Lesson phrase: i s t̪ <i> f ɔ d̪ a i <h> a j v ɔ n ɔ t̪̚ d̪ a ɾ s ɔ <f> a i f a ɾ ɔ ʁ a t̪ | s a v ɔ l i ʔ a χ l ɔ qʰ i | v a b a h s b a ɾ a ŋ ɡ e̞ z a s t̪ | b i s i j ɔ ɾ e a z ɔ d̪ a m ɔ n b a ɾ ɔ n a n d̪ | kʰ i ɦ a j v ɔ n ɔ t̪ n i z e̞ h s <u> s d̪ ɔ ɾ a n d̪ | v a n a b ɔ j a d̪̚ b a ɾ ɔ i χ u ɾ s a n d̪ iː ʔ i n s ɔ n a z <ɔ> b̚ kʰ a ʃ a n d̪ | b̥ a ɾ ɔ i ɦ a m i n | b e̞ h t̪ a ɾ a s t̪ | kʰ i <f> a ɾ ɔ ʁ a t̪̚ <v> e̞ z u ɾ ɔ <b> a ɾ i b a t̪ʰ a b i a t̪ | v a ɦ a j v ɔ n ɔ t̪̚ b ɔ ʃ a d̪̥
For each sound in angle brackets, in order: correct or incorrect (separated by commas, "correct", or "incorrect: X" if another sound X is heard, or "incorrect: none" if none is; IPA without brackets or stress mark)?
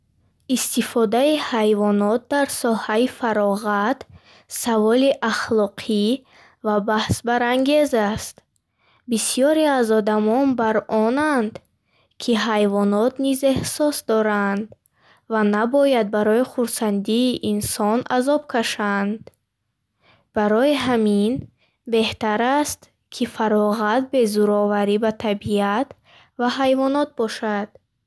correct, correct, incorrect: h, incorrect: ɔ, correct, correct, incorrect: b, incorrect: v